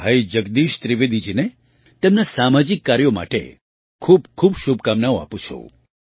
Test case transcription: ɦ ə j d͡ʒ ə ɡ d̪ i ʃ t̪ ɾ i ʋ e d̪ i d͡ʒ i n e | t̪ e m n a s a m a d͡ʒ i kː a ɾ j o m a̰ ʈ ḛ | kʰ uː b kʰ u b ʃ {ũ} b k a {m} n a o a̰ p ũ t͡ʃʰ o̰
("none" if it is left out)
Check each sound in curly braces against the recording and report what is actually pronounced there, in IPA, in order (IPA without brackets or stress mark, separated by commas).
u, m